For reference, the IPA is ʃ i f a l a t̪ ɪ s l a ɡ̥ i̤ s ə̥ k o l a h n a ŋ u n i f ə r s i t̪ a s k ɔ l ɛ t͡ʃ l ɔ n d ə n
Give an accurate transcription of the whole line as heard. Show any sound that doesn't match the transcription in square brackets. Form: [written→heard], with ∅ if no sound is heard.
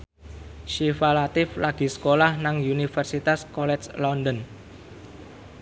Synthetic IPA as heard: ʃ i f a l a t̪ ɪ [s→f] l a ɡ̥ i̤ s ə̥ k o l a h n a ŋ u n i f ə r s i t̪ a s k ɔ l ɛ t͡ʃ l ɔ n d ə n